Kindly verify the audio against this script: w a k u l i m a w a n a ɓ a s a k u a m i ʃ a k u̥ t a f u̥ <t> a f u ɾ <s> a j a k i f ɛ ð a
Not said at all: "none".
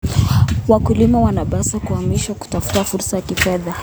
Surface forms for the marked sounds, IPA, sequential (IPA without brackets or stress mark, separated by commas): t, s